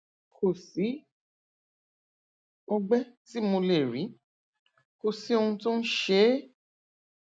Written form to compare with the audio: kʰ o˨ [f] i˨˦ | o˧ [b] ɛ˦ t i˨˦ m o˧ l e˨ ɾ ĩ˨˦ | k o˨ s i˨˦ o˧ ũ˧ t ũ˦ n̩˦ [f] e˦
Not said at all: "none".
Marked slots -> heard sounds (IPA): s, ɡ͡b, ʃ

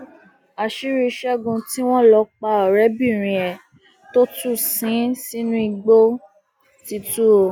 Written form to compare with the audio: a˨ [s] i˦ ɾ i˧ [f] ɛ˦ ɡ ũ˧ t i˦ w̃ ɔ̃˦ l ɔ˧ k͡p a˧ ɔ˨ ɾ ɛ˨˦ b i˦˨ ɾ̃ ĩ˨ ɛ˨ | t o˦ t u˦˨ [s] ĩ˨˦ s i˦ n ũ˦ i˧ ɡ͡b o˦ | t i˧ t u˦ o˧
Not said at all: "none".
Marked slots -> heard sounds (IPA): ʃ, ʃ, s

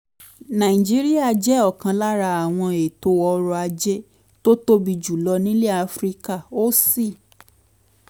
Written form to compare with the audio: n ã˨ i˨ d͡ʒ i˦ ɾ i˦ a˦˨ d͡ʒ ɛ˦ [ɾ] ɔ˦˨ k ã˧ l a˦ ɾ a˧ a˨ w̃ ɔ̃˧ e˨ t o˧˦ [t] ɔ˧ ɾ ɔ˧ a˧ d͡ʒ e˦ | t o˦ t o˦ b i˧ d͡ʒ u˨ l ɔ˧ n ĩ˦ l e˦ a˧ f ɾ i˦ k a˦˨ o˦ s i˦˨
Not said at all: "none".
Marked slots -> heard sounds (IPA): none, none

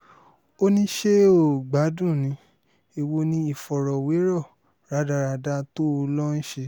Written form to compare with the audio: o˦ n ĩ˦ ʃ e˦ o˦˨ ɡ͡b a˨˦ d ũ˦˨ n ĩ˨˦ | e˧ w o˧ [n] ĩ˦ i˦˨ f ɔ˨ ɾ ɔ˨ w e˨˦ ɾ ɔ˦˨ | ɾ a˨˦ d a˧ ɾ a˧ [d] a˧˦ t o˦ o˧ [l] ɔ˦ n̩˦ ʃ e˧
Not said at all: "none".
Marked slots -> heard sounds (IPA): n, d, l

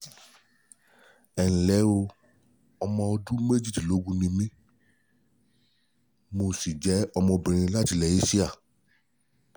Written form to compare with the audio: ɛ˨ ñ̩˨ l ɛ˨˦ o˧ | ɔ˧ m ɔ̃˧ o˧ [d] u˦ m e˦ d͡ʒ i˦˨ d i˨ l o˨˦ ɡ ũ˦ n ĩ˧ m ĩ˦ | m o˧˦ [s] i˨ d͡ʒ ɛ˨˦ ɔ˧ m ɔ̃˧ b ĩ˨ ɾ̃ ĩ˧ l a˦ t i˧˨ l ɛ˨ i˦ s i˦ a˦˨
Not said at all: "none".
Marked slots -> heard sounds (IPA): d, s

